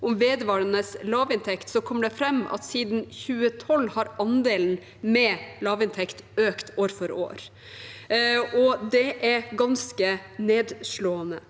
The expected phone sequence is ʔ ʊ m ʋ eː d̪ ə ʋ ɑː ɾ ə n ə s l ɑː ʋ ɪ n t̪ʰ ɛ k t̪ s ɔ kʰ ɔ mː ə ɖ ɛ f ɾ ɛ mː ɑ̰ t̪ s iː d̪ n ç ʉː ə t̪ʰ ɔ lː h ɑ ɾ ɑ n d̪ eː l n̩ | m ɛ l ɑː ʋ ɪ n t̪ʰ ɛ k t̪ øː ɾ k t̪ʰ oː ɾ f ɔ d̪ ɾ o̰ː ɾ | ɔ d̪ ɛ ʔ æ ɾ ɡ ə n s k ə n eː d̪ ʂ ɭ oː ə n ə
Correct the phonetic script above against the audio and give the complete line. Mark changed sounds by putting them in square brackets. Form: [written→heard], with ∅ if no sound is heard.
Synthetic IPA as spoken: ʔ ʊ m ʋ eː d̪ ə ʋ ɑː ɾ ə n ə s l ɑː ʋ ɪ n t̪ʰ ɛ k t̪ s ɔ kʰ ɔ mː ə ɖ ɛ f ɾ ɛ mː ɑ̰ t̪ s iː d̪ n ç ʉː ə t̪ʰ ɔ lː h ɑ ɾ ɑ n d̪ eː l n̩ | m ɛ l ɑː ʋ ɪ n t̪ʰ ɛ k t̪ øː [ɾ→∅] k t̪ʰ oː ɾ f ɔ [d̪→∅] ɾ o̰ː ɾ | ɔ d̪ ɛ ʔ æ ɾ ɡ [ə→ɑ] n s k ə n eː d̪ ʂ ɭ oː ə n ə

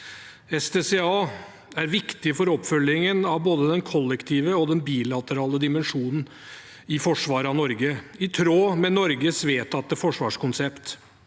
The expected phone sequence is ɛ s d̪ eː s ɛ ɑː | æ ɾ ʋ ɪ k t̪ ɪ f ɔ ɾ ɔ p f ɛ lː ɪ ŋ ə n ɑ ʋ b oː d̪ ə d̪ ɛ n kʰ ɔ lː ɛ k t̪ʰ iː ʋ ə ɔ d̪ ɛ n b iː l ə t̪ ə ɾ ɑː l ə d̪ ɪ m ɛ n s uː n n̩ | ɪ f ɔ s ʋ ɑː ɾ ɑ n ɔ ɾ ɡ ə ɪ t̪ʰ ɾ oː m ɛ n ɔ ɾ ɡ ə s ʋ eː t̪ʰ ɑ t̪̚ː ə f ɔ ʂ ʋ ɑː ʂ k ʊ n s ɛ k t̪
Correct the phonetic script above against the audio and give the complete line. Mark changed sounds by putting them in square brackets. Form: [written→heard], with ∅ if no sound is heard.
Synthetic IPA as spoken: ɛ s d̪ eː s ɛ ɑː | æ ɾ ʋ ɪ k t̪ ɪ f ɔ ɾ ɔ p f [ɛ→œ] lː ɪ ŋ ə n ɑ ʋ b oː d̪ ə d̪ ɛ n kʰ ɔ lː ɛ k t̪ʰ iː ʋ ə ɔ d̪ ɛ n b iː l [ə→ɑ] t̪ ə ɾ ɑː l ə d̪ ɪ m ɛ n [s→ʂ] uː n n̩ | ɪ f ɔ [s→ʂ] ʋ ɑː ɾ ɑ n ɔ ɾ ɡ ə ɪ t̪ʰ ɾ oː m ɛ n ɔ ɾ ɡ ə s ʋ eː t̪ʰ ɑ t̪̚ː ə f ɔ ʂ ʋ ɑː ʂ k ʊ n s ɛ [k→p] t̪

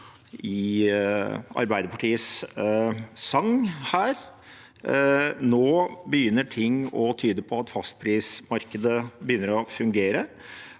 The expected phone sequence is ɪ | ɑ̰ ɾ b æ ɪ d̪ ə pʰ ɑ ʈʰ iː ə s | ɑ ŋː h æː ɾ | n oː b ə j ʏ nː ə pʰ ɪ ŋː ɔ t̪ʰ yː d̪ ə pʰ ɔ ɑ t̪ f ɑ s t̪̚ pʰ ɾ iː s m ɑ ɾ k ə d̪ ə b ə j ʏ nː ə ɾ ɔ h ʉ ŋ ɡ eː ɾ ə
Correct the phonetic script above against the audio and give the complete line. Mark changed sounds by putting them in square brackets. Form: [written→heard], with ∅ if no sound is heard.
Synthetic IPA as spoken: ɪ | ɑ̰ ɾ b æ ɪ d̪ ə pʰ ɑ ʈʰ iː ə s | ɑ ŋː h æː ɾ | n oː b ə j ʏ nː ə [pʰ→ʈʰ] ɪ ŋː ɔ t̪ʰ yː d̪ ə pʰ ɔ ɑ t̪ f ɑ s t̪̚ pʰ ɾ iː s m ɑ ɾ k ə d̪ ə b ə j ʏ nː ə ɾ ɔ [h→f] ʉ ŋ ɡ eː ɾ ə

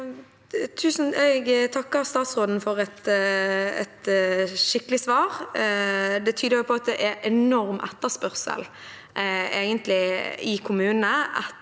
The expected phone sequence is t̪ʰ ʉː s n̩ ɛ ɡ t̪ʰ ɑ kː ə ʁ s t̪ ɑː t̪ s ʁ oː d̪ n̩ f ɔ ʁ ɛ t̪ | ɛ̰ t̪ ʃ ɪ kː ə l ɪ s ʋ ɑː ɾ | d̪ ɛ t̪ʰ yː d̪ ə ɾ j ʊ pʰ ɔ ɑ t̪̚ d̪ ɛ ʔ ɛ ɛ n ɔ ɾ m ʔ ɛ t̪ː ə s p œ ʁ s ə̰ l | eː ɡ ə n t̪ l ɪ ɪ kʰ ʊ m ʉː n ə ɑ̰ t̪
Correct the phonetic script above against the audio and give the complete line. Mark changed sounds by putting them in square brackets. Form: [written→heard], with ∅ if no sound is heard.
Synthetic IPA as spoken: t̪ʰ ʉː s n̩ ɛ ɡ t̪ʰ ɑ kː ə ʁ s t̪ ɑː t̪ s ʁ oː d̪ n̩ f ɔ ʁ ɛ t̪ | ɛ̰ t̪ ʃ ɪ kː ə l ɪ s ʋ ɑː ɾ | d̪ ɛ t̪ʰ yː d̪ ə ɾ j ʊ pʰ ɔ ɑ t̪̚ d̪ ɛ ʔ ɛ ɛ n ɔ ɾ m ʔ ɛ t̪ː ə s p œ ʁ s ə̰ l | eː ɡ ə n t̪ l ɪ ɪ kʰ ʊ m ʉː n ə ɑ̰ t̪

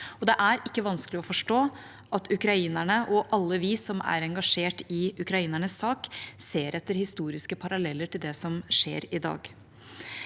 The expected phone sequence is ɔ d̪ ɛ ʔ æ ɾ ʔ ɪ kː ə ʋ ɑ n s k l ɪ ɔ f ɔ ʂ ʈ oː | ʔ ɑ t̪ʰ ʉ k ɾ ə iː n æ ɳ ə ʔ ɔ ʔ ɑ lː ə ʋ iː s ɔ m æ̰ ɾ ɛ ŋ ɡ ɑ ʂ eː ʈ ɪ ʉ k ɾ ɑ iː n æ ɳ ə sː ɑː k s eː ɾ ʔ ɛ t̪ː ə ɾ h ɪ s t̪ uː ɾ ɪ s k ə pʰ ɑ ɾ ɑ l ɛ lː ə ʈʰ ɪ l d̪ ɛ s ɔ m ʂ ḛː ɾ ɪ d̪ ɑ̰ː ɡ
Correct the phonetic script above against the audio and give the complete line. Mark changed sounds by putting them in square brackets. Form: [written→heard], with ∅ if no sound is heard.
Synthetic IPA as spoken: ɔ d̪ ɛ ʔ æ ɾ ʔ ɪ kː ə ʋ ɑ n s k l ɪ ɔ f ɔ ʂ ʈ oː | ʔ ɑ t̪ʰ ʉ k ɾ [ə→ɑ] iː n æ ɳ ə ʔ ɔ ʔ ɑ lː ə ʋ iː s ɔ m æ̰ ɾ ɛ ŋ ɡ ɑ ʂ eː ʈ ɪ ʉ k ɾ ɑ iː n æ ɳ ə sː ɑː k s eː ɾ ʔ ɛ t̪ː ə ɾ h ɪ s t̪ uː ɾ ɪ s k ə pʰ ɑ ɾ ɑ l ɛ lː ə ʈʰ ɪ l d̪ ɛ s ɔ m ʂ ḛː ɾ ɪ d̪ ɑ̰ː ɡ

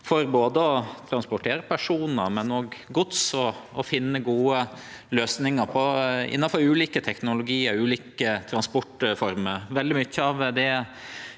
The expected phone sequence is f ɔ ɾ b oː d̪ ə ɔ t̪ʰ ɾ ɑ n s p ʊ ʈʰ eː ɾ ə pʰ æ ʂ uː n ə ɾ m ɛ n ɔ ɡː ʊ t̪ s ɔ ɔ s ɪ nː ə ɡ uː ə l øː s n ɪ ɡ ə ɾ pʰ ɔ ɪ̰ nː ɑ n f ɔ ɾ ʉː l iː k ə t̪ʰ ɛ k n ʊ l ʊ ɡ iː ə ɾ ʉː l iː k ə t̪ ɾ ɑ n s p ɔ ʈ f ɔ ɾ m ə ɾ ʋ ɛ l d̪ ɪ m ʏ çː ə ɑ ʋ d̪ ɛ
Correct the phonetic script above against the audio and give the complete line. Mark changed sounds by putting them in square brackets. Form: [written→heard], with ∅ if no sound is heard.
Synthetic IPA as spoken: f ɔ ɾ b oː d̪ ə ɔ t̪ʰ ɾ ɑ n s p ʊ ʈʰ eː ɾ ə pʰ æ ʂ uː n ə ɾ m ɛ n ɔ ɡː ʊ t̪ s ɔ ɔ [s→f] ɪ nː ə ɡ uː ə l øː s n ɪ [ɡ→ŋ] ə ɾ pʰ ɔ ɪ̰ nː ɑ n f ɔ ɾ ʉː l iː k ə t̪ʰ ɛ k n ʊ l ʊ ɡ iː ə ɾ ʉː l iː k ə [t̪→t̪ʰ] ɾ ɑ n s p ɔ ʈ f ɔ ɾ m ə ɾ ʋ ɛ l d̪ ɪ m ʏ çː ə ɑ ʋ d̪ ɛ

